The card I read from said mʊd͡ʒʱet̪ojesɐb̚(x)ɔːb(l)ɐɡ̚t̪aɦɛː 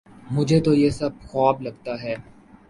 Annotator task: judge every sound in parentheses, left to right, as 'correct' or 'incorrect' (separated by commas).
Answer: correct, correct